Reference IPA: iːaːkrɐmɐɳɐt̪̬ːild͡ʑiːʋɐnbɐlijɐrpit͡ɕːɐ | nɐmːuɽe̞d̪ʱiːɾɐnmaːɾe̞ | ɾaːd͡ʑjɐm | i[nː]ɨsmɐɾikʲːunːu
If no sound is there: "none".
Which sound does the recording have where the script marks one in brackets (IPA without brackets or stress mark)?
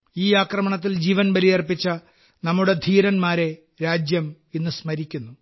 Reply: nː